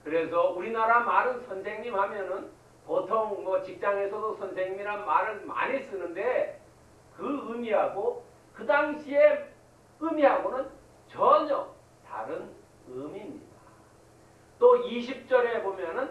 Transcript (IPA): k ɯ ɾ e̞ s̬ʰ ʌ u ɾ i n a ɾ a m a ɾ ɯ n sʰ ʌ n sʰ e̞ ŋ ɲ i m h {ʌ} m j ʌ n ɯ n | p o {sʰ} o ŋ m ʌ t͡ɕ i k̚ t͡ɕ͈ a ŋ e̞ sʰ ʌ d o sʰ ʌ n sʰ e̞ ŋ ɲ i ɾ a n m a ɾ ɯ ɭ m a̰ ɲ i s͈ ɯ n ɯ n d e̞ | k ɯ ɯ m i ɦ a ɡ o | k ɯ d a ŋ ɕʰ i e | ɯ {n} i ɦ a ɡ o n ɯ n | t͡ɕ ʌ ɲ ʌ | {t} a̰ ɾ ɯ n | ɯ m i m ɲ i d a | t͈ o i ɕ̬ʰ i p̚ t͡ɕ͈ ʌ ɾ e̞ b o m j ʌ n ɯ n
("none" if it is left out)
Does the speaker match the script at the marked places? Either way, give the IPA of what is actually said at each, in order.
a, tʰ, m, t

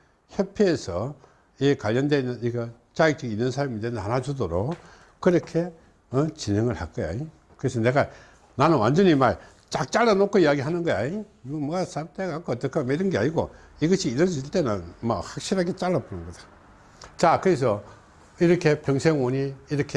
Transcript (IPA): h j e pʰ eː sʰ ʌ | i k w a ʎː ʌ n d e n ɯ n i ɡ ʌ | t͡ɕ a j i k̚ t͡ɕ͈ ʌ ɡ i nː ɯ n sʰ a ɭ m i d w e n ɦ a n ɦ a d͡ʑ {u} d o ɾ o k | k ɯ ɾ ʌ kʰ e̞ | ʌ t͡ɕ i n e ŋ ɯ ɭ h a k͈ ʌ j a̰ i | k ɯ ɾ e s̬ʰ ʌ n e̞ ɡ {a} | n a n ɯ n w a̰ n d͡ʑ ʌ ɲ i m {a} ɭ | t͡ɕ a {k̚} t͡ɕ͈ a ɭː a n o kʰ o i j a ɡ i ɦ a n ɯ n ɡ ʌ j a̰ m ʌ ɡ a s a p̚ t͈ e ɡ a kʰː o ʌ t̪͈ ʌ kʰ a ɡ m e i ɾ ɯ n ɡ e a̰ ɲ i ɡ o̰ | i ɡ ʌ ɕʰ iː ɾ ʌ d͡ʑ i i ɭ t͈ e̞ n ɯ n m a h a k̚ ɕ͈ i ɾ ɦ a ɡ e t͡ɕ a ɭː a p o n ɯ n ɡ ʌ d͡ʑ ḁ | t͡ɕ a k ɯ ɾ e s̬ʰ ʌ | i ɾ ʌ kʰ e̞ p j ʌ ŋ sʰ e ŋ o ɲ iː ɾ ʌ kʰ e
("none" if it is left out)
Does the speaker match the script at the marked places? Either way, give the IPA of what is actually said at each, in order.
u, a, a, k̚

